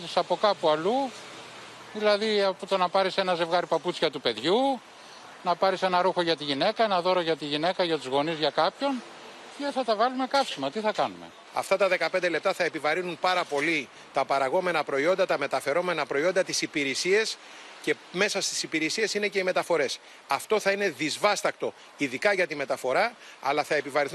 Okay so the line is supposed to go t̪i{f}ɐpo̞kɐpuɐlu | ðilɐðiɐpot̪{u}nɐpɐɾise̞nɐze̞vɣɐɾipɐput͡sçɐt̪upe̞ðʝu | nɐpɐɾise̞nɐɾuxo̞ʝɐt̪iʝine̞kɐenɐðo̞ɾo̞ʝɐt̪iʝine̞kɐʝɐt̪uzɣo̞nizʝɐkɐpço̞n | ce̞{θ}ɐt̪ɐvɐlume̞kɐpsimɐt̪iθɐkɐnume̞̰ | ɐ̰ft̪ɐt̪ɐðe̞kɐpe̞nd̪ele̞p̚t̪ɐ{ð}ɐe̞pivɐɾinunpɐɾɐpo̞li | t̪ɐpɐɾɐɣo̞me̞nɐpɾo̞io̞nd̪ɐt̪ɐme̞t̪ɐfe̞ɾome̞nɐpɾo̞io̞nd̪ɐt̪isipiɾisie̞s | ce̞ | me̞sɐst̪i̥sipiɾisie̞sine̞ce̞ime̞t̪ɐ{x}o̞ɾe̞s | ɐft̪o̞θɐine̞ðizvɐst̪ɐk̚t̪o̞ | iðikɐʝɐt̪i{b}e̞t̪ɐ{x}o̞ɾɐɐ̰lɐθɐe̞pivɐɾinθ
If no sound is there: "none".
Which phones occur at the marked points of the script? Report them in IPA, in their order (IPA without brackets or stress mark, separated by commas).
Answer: s, o, θ, θ, f, m, f